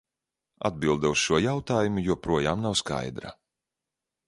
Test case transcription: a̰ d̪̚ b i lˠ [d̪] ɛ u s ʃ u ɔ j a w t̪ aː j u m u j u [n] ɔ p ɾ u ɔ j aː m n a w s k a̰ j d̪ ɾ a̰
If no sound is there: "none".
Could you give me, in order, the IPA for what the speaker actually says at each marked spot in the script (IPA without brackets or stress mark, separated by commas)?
d̪, none